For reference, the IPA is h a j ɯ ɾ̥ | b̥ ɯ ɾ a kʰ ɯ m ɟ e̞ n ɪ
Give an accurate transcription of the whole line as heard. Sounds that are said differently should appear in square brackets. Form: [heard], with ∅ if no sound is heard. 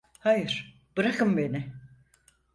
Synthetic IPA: h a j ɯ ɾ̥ | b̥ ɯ ɾ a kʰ ɯ m [b] e̞ n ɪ